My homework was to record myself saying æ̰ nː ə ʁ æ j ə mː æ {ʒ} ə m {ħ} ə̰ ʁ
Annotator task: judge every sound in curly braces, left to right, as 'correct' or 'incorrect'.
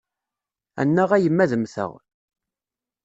incorrect, incorrect

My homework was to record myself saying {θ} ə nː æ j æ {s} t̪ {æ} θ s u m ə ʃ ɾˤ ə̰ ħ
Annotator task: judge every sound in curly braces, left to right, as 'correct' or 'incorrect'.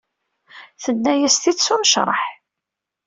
correct, correct, incorrect

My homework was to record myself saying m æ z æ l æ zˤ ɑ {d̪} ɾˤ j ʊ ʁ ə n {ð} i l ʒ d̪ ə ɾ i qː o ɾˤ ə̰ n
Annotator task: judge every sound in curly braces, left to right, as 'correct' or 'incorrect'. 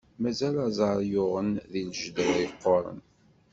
incorrect, correct

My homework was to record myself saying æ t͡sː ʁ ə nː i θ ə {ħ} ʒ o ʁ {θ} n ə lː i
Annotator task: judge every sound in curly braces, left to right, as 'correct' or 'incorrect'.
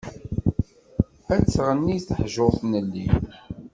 correct, correct

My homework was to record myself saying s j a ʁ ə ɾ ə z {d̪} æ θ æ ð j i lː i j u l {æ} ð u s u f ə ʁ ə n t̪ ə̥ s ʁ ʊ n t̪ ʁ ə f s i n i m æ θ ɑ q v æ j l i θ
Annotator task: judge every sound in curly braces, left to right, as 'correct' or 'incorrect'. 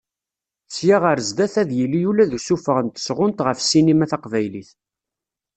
correct, correct

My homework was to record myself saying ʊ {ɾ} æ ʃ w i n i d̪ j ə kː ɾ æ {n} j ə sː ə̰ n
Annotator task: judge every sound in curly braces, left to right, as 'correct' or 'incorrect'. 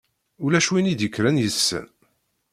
incorrect, correct

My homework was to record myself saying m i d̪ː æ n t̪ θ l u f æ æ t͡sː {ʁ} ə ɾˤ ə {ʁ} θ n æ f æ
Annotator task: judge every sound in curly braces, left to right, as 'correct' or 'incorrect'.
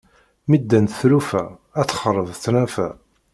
incorrect, incorrect

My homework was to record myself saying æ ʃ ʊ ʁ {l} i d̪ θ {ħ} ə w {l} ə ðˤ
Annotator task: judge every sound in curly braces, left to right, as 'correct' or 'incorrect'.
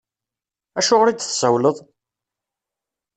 incorrect, incorrect, correct

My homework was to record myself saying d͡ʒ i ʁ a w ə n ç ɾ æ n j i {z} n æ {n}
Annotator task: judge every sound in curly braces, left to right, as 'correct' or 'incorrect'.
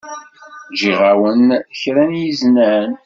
correct, correct

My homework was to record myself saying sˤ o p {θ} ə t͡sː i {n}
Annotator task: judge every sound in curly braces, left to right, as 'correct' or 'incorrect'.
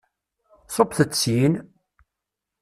correct, correct

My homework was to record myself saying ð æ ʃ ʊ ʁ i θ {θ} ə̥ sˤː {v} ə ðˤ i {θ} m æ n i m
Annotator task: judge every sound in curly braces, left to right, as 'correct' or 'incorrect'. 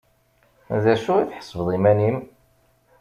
incorrect, correct, incorrect

